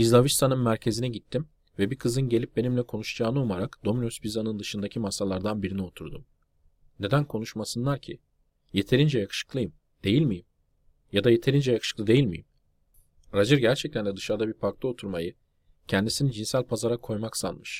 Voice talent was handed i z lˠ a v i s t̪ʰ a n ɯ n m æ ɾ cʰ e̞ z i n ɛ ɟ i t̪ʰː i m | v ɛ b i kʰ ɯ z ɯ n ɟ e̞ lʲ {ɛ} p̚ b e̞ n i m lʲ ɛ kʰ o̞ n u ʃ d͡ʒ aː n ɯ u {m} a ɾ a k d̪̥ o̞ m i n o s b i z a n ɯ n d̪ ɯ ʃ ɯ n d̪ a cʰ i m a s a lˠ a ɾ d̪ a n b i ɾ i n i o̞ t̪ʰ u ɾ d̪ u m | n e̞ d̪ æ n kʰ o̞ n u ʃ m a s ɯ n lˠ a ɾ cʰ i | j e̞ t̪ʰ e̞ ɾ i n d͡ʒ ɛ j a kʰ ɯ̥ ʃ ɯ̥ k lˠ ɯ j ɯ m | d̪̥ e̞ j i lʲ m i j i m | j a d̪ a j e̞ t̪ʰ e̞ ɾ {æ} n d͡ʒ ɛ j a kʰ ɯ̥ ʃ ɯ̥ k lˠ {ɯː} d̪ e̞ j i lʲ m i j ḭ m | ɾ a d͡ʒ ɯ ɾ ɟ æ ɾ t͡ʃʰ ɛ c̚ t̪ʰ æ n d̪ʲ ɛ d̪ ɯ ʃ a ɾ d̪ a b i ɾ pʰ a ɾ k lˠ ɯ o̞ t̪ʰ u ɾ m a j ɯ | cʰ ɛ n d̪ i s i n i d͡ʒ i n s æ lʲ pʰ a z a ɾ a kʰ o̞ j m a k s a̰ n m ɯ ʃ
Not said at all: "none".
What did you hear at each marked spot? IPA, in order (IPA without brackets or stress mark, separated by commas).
i, m, i, ɯ